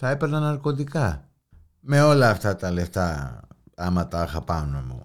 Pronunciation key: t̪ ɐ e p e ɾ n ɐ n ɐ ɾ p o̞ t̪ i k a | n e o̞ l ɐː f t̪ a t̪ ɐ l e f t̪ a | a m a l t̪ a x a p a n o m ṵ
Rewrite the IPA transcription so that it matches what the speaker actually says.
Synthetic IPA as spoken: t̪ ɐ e p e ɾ n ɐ n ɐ ɾ k o̞ t̪ i k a | m e o̞ l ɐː f t̪ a t̪ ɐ l e f t̪ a | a m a t̪ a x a p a n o m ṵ